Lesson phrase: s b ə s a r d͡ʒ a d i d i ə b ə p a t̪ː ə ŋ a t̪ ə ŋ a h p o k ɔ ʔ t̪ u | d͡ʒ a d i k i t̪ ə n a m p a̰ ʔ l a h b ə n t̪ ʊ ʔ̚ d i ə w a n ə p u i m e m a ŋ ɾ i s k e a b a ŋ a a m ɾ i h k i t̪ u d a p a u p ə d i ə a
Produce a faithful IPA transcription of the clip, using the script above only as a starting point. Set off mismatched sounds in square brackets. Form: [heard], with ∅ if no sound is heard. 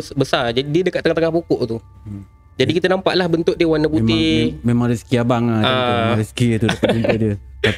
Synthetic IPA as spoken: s b ə s a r d͡ʒ a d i d i ə [d] ə [k] a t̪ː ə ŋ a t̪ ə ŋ a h p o k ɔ ʔ t̪ u | d͡ʒ a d i k i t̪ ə n a m p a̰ ʔ l a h b ə n t̪ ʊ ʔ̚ d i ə w a n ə p u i m e m a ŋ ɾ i s k [i] a b a ŋ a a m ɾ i [s] k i t̪ u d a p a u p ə d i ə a